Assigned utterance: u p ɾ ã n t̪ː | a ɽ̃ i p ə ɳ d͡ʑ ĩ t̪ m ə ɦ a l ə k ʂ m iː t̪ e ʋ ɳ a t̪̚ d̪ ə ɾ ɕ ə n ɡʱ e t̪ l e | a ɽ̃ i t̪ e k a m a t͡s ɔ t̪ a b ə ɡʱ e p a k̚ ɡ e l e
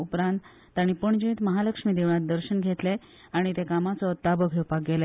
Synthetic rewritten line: u p ɾ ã n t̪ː | a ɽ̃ i p ə ɳ d͡ʑ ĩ t̪ m ə ɦ a l ə k ʂ m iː d̪ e ʋ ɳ a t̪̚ d̪ ə ɾ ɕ ə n ɡʱ e t̪ l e | a ɽ̃ i t̪ e k a m a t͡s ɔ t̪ a b ə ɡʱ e p a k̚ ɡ e l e